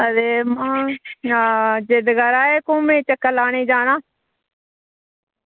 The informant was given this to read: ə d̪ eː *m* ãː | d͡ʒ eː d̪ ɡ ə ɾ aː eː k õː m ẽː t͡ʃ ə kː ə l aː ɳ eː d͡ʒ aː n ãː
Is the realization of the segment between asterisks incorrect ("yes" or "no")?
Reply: no